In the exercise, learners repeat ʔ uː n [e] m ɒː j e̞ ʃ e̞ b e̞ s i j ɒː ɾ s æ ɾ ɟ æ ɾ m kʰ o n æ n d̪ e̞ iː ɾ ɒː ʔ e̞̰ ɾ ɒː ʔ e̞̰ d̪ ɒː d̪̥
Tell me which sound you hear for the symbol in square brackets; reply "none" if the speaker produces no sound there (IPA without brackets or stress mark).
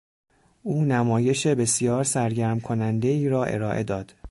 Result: æ